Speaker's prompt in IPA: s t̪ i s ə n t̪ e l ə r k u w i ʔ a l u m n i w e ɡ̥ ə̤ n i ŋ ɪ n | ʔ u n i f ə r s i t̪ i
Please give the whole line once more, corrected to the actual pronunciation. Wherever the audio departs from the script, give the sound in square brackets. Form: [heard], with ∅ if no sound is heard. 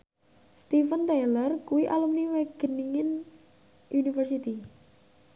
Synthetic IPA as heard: s t̪ i [f] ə n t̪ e l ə r k u w i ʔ a l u m n i w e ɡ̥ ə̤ n i ŋ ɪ n | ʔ u n i f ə r s i t̪ i